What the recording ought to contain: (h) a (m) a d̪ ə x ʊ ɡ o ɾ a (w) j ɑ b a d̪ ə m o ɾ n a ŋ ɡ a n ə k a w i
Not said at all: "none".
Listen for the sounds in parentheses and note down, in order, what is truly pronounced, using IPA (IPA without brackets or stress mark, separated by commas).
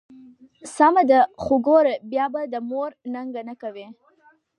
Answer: s, m, b